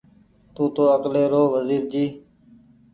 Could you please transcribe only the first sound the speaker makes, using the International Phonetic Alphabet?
t̪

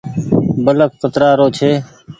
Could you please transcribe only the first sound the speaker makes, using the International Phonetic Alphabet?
b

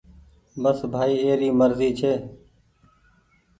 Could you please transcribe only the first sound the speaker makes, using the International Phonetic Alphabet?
b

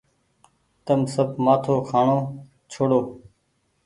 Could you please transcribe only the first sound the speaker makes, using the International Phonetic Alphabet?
t̪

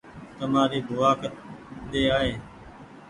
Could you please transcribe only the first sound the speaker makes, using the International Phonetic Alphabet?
t̪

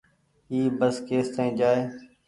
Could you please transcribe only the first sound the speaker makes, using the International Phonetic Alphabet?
iː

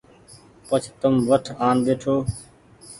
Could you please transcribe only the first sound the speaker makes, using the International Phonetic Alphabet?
p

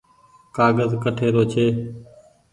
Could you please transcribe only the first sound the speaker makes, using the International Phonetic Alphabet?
k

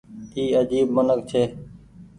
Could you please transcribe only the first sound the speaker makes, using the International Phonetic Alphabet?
iː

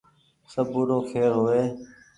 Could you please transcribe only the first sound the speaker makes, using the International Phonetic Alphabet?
s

